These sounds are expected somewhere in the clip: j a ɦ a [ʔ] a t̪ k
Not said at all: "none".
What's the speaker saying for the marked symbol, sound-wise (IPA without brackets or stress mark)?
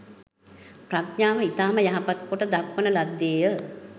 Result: p